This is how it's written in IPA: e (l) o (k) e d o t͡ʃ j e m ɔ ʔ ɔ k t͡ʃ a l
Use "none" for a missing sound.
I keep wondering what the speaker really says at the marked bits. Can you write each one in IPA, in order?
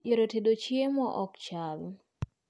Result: ɾ, t

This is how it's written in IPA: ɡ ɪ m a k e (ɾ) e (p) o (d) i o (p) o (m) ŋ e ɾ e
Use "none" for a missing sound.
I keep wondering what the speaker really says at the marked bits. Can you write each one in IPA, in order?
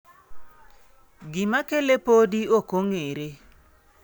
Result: l, p, d, k, none

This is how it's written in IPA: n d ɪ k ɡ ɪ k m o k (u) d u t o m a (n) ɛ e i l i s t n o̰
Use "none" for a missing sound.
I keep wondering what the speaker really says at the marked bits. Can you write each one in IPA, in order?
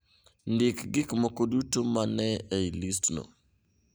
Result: o, n

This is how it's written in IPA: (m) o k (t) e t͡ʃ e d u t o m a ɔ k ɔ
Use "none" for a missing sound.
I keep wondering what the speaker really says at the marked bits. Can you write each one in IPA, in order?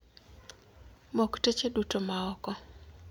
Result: m, t

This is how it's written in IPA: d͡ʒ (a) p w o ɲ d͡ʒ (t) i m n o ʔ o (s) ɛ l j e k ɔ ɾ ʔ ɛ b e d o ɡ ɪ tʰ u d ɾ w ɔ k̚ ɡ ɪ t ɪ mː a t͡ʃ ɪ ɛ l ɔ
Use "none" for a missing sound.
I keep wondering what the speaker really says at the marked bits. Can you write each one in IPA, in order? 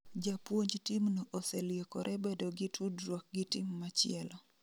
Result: a, t, s

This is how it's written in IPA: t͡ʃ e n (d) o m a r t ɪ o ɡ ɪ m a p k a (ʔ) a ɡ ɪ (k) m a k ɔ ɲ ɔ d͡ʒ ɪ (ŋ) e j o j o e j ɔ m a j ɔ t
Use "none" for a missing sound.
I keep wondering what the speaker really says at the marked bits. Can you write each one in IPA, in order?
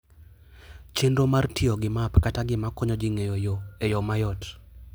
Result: d, t, none, ŋ

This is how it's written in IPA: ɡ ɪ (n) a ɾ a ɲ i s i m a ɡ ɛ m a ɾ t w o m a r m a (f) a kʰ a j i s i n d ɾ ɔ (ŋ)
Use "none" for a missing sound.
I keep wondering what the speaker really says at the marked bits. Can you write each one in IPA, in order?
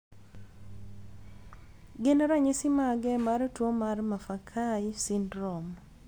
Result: n, f, m

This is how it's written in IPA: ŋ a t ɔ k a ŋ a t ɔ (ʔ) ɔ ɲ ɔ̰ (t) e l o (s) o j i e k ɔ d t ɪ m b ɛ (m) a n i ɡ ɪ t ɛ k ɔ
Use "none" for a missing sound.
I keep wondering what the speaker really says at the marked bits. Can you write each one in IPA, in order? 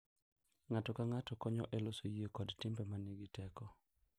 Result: k, ʔ, s, m

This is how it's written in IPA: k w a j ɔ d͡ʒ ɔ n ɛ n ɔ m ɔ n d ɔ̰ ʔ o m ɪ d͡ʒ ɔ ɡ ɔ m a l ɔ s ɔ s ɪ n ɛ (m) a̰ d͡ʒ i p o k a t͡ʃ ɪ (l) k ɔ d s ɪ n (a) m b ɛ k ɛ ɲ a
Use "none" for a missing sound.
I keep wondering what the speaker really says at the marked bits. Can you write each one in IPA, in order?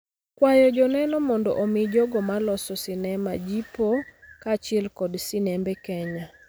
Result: m, l, ɛ

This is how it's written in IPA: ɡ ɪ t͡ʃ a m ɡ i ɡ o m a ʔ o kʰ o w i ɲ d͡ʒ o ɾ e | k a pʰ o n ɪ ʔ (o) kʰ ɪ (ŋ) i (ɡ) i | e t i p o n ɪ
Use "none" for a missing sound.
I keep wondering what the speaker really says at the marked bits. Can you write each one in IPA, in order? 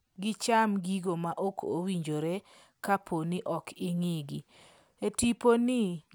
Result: ɔ, ŋ, ɡ

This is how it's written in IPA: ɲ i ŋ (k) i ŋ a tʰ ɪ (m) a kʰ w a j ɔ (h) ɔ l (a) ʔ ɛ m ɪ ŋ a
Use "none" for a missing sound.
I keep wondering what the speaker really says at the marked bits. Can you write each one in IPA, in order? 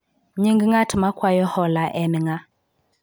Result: ɡ, m, h, a

